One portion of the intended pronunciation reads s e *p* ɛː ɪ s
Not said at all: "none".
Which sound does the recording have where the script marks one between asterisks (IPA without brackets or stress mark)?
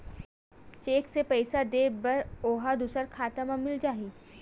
p